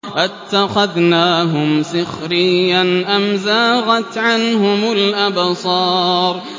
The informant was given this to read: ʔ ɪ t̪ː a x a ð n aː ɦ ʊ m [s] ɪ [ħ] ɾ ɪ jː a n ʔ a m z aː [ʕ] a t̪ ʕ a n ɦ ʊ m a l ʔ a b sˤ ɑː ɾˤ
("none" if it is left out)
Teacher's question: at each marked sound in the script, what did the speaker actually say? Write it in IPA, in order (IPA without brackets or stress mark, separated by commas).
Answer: s, x, ɣ